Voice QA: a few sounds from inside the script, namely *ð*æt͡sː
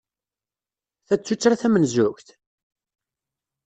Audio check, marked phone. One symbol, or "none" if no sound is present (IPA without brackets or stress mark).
θ